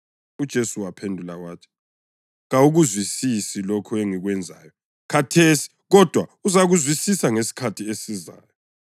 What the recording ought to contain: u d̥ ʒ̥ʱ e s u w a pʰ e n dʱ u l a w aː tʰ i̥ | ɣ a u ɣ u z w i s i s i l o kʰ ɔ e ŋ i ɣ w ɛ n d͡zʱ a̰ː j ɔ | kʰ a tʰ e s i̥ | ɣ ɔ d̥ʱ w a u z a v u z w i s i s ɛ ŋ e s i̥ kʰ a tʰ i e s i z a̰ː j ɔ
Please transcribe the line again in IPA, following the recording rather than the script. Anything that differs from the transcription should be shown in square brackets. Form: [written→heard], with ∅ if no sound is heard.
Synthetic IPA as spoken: u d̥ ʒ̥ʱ e s u w a pʰ e n dʱ u l a w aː tʰ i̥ | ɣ a u ɣ u z w i s i s i l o kʰ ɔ e ŋ i ɣ w ɛ n d͡zʱ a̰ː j ɔ | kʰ a tʰ e s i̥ | ɣ ɔ d̥ʱ w a u z a [v→ɣ] u z w i s i s [ɛ→a] ŋ e s i̥ kʰ a tʰ i e s i z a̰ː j ɔ

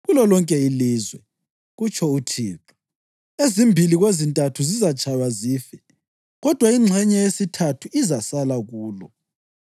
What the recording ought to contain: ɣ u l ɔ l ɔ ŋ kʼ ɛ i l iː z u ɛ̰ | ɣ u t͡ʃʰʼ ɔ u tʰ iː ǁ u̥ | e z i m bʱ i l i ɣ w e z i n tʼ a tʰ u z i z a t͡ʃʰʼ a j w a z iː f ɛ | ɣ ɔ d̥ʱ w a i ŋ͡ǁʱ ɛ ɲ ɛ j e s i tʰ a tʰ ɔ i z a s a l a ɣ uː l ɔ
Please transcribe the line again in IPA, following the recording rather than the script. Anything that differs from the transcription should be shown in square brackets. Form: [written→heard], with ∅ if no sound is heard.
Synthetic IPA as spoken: ɣ u l ɔ l ɔ ŋ kʼ ɛ i l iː z [u→w] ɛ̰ | ɣ u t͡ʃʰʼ ɔ u tʰ iː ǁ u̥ | e z i m bʱ i l i ɣ w e z i n tʼ a tʰ u z i z a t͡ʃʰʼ a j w a z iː f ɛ | ɣ ɔ d̥ʱ w a i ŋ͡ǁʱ ɛ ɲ ɛ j e s i tʰ a tʰ [ɔ→u] i z a s a l a ɣ uː l ɔ

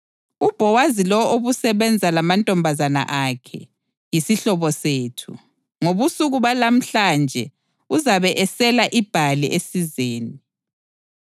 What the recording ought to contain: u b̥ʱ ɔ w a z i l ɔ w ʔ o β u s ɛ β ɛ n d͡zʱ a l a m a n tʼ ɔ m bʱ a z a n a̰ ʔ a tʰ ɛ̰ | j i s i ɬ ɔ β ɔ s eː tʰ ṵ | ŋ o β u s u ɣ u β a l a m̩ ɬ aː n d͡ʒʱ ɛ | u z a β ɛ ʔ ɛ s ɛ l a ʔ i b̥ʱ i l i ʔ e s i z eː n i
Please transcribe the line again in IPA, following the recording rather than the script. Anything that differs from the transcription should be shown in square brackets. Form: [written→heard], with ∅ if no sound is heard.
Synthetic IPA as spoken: u b̥ʱ ɔ w a z i l ɔ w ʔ o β u s ɛ β ɛ n d͡zʱ a l a m a n tʼ ɔ m bʱ a z a n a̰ ʔ a [tʰ→kʰ] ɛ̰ | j i s i ɬ ɔ β ɔ s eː tʰ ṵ | ŋ o β u s u ɣ u β a l a m̩ ɬ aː n d͡ʒʱ ɛ | u z a β ɛ ʔ ɛ s ɛ l a ʔ i b̥ʱ [i→a] l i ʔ e s i z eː n i

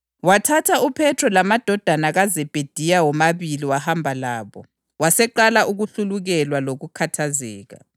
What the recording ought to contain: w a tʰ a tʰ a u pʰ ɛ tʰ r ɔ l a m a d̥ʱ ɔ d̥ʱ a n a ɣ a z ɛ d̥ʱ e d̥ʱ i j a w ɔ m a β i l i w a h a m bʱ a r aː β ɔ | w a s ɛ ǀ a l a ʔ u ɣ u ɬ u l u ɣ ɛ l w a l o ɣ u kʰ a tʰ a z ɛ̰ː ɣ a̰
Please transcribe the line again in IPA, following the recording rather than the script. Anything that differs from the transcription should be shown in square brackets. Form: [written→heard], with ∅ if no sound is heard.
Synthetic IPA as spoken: w a tʰ a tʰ a u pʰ ɛ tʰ r ɔ l a m a d̥ʱ ɔ d̥ʱ a n a ɣ a z ɛ [d̥ʱ→b̥ʱ] e d̥ʱ i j a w ɔ m a β i l i w a h a m bʱ a [r→l] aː β ɔ | w a s ɛ [ǀ→ǃ] a l a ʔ u ɣ u ɬ u l u ɣ ɛ l w a l o ɣ u kʰ a tʰ a z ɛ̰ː ɣ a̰

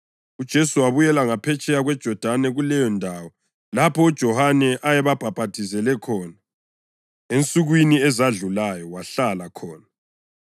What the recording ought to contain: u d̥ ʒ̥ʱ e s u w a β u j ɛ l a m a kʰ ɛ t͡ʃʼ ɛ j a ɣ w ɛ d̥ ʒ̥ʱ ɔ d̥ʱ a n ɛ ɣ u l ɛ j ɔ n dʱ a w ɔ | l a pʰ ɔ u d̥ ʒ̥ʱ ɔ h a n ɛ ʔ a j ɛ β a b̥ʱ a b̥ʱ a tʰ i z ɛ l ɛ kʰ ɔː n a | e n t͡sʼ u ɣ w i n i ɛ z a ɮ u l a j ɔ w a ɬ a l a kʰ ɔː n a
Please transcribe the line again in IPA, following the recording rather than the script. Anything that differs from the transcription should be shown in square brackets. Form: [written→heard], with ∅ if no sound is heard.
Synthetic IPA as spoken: u d̥ ʒ̥ʱ e s u w a β u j ɛ l a [m→ŋ] a [kʰ→pʰ] ɛ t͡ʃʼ ɛ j a ɣ w ɛ d̥ ʒ̥ʱ ɔ d̥ʱ a n ɛ ɣ u l ɛ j ɔ n dʱ a w ɔ | l a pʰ ɔ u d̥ ʒ̥ʱ ɔ h a n ɛ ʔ a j ɛ β a b̥ʱ a b̥ʱ a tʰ i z ɛ l ɛ kʰ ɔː n a | e n t͡sʼ u ɣ w i n i ɛ z a ɮ u l a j ɔ w a ɬ a l a kʰ ɔː n a

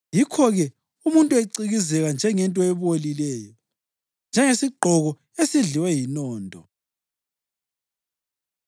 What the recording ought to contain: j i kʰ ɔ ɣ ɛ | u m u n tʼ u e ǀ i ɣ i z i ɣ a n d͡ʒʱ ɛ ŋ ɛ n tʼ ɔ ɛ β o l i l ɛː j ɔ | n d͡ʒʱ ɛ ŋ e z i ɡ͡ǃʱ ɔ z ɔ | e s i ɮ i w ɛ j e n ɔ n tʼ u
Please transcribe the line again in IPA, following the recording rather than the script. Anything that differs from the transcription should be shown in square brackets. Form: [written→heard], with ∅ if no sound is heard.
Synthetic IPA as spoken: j i kʰ ɔ ɣ ɛ | u m u n tʼ u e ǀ i ɣ i z [i→ɛ] ɣ a n d͡ʒʱ ɛ ŋ ɛ n tʼ ɔ ɛ β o l i l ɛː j ɔ | n d͡ʒʱ ɛ ŋ e [z→s] i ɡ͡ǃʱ ɔ [z→ɣ] ɔ | e s i ɮ i w ɛ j [e→i] n [ɔ→ɔː] n tʼ [u→ɔ]

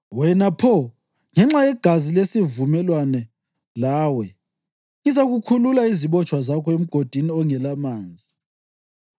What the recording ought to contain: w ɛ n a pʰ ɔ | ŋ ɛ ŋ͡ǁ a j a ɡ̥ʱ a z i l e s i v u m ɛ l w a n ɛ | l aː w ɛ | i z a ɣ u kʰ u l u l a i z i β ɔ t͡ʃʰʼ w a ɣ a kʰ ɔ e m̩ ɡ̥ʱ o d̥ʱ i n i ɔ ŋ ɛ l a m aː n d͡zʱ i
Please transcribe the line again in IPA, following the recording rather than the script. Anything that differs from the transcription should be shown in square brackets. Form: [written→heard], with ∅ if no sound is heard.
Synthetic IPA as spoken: w ɛ n a pʰ ɔ | ŋ ɛ ŋ͡ǁ a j [a→ɛ] ɡ̥ʱ a z i l e s i v u m ɛ l w a n ɛ | l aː w ɛ | i z a ɣ u kʰ u l u l a i z i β ɔ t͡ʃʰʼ w a [ɣ→z] a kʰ ɔ e m̩ ɡ̥ʱ o d̥ʱ i n i ɔ ŋ ɛ l a m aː n d͡zʱ i

